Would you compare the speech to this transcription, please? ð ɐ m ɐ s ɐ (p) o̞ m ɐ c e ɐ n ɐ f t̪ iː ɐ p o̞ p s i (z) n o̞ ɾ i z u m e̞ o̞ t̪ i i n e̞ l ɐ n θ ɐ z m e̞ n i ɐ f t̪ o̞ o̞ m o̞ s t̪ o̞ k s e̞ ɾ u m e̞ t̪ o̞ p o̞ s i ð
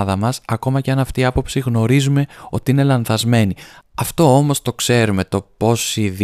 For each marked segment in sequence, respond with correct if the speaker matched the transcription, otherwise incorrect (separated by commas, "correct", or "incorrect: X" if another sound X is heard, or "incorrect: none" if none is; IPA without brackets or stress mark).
incorrect: k, incorrect: ɣ